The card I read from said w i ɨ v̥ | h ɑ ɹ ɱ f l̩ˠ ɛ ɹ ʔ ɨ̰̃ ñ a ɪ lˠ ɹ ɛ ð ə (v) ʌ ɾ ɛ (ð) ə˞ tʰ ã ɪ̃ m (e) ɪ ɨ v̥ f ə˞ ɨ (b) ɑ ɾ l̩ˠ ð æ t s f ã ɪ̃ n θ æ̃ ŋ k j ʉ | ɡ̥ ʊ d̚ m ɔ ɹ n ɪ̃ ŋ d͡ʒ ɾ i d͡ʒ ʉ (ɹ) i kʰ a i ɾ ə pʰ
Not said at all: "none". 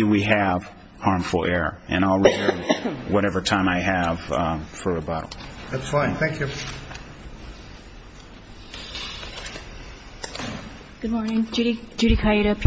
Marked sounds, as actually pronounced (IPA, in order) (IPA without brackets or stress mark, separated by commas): w, v, a, b, ɾ